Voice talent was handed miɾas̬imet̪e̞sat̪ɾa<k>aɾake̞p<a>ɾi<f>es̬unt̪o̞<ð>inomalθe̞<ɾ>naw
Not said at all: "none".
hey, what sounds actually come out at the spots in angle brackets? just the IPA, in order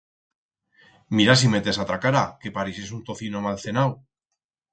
k, a, s, θ, none

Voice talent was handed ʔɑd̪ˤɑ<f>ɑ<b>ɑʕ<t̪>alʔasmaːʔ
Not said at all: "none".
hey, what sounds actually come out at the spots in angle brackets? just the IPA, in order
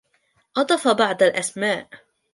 f, b, d̪

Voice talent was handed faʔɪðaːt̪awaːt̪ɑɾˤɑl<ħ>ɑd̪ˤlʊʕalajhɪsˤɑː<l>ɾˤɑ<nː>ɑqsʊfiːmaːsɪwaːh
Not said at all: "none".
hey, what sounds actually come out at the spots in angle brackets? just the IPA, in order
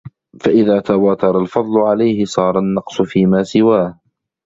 f, none, nː

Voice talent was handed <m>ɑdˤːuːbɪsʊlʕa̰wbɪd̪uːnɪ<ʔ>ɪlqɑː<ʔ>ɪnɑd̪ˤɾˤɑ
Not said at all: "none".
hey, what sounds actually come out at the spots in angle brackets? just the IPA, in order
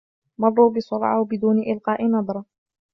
m, ʔ, ʔ

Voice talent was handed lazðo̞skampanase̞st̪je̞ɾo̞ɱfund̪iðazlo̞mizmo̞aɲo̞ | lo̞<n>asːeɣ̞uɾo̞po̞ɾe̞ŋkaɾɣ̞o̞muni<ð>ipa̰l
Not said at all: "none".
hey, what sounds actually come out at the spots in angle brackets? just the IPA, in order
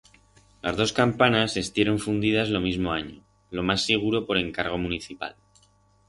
m, θ

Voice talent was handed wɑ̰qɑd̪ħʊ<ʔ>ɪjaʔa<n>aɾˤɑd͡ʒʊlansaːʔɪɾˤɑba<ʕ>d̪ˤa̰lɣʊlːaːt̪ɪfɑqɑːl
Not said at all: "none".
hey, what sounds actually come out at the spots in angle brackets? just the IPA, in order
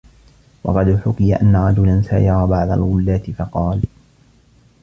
k, nː, ʕ

